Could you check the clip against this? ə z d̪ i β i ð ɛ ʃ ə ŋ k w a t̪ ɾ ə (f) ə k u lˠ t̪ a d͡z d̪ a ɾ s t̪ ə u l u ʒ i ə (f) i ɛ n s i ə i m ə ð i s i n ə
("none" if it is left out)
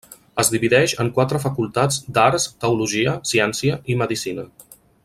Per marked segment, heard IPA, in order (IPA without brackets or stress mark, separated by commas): f, s